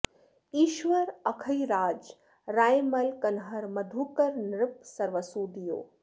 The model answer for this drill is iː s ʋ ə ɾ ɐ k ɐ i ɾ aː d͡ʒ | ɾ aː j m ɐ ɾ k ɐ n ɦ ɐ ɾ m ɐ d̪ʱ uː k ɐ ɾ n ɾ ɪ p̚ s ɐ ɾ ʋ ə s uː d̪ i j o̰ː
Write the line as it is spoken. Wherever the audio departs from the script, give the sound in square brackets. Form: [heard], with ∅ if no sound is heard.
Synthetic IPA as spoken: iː [ʃ] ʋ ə ɾ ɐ [kʰ] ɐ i ɾ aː d͡ʒ | ɾ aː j m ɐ [l] k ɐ n ɦ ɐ ɾ m ɐ d̪ʱ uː k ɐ ɾ n ɾ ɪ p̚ s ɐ ɾ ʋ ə s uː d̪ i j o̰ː